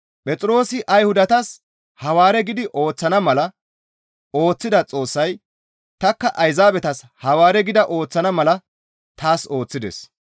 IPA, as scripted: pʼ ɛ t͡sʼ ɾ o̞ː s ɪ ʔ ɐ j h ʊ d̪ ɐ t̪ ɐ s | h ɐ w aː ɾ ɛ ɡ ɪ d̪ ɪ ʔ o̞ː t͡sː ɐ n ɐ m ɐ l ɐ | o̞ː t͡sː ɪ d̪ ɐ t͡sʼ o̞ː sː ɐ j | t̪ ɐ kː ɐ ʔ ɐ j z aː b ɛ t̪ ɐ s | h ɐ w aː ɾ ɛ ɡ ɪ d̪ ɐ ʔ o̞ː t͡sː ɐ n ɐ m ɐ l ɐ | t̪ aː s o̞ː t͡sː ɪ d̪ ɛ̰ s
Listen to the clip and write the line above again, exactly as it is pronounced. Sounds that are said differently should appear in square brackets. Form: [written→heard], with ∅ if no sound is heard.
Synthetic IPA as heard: pʼ ɛ t͡sʼ ɾ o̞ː s ɪ ʔ ɐ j h ʊ d̪ ɐ t̪ ɐ s | h ɐ w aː ɾ ɛ ɡ ɪ d̪ ɪ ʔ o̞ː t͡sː ɐ n ɐ m ɐ l ɐ | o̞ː t͡sː ɪ d̪ ɐ t͡sʼ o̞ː sː ɐ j | t̪ ɐ kː ɐ ʔ ɐ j z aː b ɛ t̪ ɐ s | h ɐ w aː ɾ ɛ ɡ ɪ d̪ ɐ ʔ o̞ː t͡sː ɐ n ɐ m ɐ l ɐ | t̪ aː s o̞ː t͡sː ɪ d̪ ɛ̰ s